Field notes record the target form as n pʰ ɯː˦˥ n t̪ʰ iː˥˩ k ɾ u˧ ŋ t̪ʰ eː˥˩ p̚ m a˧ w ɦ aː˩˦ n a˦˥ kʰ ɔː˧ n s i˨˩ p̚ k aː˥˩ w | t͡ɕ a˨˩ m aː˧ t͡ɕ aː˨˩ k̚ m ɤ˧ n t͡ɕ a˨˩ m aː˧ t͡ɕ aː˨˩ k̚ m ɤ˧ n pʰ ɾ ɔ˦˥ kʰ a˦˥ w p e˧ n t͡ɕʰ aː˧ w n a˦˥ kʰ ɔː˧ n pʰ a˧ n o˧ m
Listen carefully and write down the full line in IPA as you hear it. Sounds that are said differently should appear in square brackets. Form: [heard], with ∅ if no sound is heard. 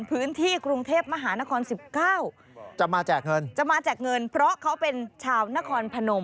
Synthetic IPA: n pʰ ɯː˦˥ n t̪ʰ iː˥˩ k ɾ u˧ ŋ t̪ʰ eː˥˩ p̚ m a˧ [∅] ɦ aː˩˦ n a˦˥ kʰ ɔː˧ n s i˨˩ p̚ k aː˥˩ w | t͡ɕ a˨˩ m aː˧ t͡ɕ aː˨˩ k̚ [ŋ] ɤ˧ n t͡ɕ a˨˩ m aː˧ t͡ɕ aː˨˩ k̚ [ŋ] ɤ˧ n pʰ ɾ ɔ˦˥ kʰ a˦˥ w p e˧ n t͡ɕʰ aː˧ w n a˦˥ kʰ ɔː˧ n pʰ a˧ n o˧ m